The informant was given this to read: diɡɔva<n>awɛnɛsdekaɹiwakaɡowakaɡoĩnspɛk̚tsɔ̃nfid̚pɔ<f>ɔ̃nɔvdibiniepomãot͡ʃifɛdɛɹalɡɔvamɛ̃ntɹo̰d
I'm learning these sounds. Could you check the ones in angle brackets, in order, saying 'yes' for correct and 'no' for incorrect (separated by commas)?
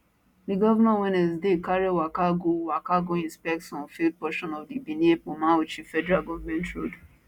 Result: yes, no